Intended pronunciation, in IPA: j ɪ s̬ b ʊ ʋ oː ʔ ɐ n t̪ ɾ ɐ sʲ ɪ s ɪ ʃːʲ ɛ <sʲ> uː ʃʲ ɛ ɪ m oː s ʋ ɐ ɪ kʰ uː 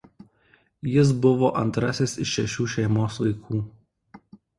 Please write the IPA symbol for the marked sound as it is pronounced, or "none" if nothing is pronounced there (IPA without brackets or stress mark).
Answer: ʃʲ